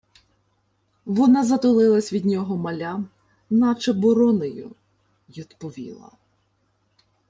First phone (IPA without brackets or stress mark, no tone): ʋ